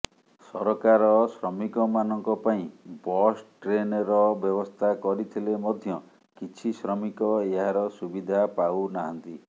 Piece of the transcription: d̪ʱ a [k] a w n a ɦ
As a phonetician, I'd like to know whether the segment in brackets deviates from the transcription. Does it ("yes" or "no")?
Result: yes